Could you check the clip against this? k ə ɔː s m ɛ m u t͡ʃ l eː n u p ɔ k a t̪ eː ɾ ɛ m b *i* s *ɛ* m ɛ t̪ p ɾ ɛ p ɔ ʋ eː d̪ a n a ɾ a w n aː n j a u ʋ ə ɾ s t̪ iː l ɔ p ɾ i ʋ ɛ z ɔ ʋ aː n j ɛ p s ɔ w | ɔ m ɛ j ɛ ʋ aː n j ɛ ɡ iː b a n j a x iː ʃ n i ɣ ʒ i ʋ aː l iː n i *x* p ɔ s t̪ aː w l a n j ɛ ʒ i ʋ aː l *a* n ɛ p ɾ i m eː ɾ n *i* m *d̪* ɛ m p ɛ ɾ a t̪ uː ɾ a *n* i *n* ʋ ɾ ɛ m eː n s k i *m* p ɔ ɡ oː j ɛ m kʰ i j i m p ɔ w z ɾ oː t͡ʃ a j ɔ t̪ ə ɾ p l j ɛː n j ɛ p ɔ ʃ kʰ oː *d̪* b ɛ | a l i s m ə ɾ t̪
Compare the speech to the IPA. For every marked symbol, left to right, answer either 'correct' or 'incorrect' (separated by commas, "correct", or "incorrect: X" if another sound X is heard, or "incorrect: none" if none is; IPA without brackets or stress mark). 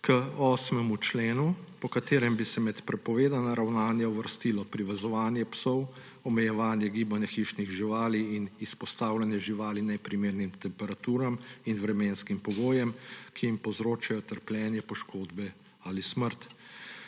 correct, correct, incorrect: s, incorrect: i, correct, incorrect: t̪, incorrect: m, correct, correct, correct